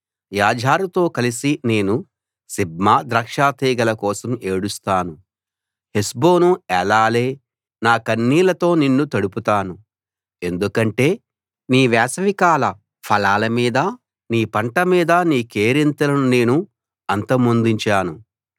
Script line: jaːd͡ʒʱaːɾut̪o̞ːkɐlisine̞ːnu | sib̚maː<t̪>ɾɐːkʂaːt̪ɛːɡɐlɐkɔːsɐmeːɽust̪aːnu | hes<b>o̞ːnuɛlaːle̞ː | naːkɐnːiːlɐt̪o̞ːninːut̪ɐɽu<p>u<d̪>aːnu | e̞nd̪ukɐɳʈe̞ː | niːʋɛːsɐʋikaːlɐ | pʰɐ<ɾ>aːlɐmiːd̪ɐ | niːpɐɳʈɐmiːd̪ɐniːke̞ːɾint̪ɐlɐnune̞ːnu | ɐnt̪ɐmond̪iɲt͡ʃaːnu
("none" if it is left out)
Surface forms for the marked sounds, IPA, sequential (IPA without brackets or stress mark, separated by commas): d̪, b, p, t̪, l